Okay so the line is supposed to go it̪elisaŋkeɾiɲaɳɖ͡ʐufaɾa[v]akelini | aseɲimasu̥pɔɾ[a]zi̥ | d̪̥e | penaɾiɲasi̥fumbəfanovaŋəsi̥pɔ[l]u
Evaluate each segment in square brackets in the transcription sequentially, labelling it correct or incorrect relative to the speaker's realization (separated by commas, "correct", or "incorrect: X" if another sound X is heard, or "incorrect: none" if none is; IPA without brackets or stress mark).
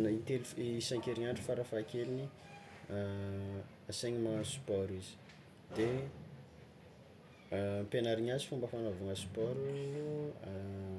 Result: incorrect: f, incorrect: i, incorrect: ɾ